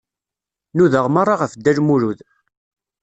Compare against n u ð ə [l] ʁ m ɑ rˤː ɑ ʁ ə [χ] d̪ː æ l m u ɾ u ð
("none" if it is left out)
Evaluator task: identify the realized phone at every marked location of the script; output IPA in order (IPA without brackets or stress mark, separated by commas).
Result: none, f